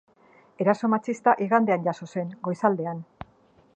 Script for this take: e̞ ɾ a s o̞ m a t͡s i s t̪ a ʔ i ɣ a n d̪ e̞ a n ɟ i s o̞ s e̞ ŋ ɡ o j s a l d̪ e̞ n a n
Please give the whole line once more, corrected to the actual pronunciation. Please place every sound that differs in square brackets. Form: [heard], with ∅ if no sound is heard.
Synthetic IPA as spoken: e̞ ɾ a s o̞ m a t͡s i s t̪ a ʔ i ɣ a n d̪ e̞ a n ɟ [a] s o̞ s e̞ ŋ ɡ o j s a l d̪ e̞ [∅] a n